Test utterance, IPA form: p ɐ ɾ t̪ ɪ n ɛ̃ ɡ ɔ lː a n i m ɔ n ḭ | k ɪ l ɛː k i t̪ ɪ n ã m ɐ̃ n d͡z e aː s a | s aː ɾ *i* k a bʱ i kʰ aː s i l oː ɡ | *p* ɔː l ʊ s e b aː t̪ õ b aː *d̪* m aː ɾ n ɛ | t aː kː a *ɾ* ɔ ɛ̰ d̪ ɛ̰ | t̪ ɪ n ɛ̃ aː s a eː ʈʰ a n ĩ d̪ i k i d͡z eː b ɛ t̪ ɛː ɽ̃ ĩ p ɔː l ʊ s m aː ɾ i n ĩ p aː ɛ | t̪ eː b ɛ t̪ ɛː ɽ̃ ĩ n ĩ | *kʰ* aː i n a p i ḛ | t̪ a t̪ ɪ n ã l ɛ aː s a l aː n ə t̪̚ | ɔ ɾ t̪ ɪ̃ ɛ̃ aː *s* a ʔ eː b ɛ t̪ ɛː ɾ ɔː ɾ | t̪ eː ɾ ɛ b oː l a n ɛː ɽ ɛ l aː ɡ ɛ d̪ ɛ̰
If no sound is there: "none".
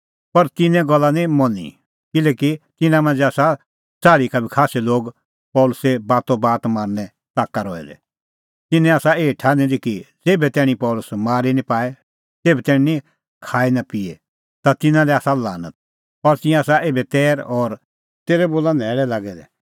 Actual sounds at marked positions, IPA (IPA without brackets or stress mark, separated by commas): i, p, t̪, ɾ, kʰ, s